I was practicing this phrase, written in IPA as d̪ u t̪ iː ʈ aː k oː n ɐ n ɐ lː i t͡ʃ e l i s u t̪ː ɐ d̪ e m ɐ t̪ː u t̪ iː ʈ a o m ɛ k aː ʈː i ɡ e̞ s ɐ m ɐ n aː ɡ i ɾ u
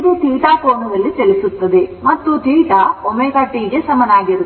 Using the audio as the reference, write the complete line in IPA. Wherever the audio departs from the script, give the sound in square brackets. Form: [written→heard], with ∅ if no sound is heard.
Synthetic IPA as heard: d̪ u t̪ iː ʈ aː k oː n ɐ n ɐ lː i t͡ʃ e l i s u t̪ː ɐ d̪ e m ɐ t̪ː u t̪ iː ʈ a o m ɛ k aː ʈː i ɡ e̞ s ɐ m ɐ n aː ɡ i ɾ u

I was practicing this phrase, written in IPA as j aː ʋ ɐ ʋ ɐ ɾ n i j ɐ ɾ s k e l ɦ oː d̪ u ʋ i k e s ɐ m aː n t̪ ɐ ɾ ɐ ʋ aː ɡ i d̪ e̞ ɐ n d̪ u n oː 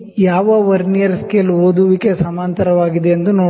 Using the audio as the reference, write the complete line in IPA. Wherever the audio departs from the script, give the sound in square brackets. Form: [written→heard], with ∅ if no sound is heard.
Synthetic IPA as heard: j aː ʋ ɐ ʋ ɐ ɾ n i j ɐ ɾ s k e l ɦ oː d̪ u ʋ i k e s ɐ m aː n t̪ ɐ ɾ ɐ ʋ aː ɡ i d̪ e̞ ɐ n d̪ u n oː

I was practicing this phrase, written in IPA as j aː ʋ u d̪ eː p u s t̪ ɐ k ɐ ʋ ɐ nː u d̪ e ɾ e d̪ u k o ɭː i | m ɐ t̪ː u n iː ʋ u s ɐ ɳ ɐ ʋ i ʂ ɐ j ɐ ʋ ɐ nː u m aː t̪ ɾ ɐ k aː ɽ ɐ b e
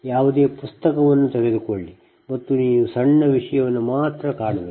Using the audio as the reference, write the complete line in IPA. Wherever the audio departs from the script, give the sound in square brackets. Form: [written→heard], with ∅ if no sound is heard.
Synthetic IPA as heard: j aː ʋ u d̪ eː p u s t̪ ɐ k ɐ ʋ ɐ nː u [d̪→t̪] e ɾ e d̪ u k o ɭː i | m ɐ t̪ː u n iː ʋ u s ɐ [ɳ→ɳː] ɐ ʋ i ʂ ɐ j ɐ ʋ ɐ nː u m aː t̪ ɾ ɐ k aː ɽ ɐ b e

